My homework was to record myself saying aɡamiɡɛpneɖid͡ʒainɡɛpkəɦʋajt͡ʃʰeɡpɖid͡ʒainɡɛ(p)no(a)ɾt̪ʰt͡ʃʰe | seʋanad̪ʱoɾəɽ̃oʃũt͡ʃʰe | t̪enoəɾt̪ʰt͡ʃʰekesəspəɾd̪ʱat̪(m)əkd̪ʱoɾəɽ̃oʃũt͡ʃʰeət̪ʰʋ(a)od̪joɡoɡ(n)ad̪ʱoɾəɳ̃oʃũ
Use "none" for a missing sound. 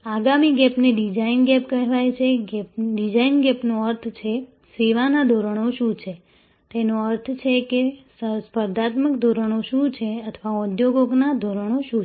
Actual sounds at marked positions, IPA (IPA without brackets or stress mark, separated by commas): p, ə, m, a, n